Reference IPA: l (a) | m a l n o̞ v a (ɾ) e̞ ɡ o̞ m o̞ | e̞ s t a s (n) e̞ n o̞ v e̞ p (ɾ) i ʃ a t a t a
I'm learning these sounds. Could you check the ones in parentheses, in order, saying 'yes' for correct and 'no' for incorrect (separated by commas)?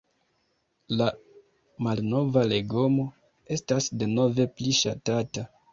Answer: yes, no, no, no